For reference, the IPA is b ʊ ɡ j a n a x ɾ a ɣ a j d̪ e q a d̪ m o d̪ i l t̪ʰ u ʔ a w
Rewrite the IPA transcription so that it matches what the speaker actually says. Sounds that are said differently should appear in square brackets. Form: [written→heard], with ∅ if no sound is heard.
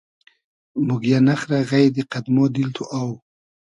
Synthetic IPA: [b→m] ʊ ɡ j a n a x ɾ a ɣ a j d̪ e q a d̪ m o d̪ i l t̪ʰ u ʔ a w